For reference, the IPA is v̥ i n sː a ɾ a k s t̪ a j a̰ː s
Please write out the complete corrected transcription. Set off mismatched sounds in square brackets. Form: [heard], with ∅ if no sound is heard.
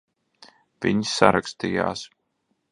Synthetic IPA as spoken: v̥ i [ɲ] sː a ɾ a k s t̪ [i] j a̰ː s